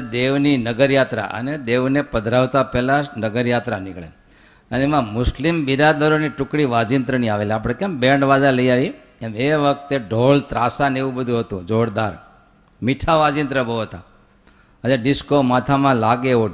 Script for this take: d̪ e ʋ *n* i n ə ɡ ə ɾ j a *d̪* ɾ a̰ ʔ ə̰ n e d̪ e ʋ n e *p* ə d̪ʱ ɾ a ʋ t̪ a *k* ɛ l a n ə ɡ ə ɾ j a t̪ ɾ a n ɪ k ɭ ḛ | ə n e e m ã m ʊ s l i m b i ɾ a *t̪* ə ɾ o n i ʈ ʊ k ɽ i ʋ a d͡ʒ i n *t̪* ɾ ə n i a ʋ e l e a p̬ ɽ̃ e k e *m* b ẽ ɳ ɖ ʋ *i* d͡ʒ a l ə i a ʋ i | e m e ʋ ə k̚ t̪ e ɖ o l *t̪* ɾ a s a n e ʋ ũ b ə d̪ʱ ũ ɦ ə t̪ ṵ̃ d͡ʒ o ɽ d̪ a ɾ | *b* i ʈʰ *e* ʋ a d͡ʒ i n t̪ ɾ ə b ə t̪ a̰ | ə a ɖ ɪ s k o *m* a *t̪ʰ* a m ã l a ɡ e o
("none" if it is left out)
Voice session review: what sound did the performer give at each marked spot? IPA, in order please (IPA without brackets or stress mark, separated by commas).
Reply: n, t̪, p, p, d̪, t̪, m, a, t̪, m, a, m, t̪ʰ